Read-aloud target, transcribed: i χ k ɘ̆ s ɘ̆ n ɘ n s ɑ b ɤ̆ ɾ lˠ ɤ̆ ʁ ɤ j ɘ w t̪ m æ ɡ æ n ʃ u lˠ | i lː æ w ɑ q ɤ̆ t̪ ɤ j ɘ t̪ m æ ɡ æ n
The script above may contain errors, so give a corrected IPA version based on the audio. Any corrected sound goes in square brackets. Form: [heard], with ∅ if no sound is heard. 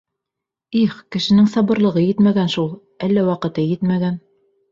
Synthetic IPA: i χ k ɘ̆ [ʃ] ɘ̆ n ɘ [ŋ] s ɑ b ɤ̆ ɾ lˠ ɤ̆ ʁ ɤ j ɘ [∅] t̪ m æ ɡ æ n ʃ u lˠ | [æ] lː æ w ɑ q ɤ̆ t̪ ɤ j ɘ t̪ m æ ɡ æ n

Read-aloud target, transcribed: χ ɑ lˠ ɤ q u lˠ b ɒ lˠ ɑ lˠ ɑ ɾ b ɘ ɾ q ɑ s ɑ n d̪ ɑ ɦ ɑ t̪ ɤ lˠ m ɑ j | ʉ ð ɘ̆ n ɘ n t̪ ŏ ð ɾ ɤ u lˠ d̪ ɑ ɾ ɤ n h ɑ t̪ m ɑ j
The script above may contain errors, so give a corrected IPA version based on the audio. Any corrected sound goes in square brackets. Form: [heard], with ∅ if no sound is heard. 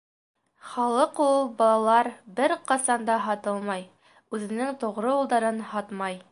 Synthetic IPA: χ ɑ lˠ ɤ q u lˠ b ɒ lˠ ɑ lˠ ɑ ɾ b ɘ ɾ q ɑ s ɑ n d̪ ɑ ɦ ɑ t̪ ɤ lˠ m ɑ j | ʉ ð ɘ̆ n ɘ [ŋ] t̪ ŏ [ʁ] ɾ ɤ u lˠ d̪ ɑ ɾ ɤ n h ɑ t̪ m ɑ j

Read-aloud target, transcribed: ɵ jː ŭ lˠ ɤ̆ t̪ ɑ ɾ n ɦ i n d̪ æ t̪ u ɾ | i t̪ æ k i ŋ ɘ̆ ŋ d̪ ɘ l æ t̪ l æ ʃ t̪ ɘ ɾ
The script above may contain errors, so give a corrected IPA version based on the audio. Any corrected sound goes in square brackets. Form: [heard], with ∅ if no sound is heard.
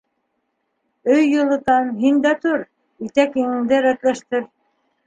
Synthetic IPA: ɵ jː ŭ lˠ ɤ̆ t̪ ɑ [∅] n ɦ i n d̪ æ t̪ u ɾ | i t̪ æ k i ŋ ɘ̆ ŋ d̪ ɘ [ɾ] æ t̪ l æ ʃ t̪ ɘ ɾ

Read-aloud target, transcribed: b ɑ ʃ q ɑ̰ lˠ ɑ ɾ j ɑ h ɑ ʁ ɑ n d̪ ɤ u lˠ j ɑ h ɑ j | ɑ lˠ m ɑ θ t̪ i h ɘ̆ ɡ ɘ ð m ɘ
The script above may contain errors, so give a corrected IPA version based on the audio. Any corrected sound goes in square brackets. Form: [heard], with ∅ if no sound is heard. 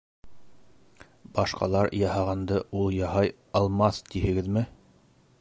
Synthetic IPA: b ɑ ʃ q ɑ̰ lˠ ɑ ɾ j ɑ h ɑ ʁ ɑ n d̪ ɤ u lˠ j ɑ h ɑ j | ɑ lˠ m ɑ θ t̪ i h ɘ̆ ɡ ɘ ð m ɘ

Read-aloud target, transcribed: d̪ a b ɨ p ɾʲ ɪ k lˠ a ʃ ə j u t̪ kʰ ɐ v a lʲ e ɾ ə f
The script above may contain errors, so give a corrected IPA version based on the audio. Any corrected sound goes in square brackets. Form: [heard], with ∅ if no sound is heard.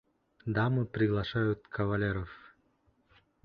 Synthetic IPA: d̪ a [m] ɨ p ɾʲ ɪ [ɡ] lˠ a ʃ [a] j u t̪ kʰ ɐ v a lʲ e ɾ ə f

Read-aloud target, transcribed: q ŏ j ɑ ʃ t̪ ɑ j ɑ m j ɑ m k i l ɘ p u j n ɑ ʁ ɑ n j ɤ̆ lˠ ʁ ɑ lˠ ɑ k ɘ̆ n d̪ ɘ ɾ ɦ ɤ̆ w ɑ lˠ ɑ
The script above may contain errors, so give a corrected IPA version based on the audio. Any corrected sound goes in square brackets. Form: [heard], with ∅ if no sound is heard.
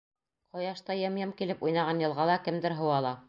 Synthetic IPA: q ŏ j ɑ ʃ t̪ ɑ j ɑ m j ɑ m k i l ɘ p u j n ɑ ʁ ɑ n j ɤ̆ lˠ ʁ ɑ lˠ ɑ k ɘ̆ [m] d̪ ɘ ɾ ɦ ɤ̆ w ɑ lˠ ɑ

